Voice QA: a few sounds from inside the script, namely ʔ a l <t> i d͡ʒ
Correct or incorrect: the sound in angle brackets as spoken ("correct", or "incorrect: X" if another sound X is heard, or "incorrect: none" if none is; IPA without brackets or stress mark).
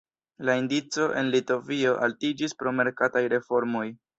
correct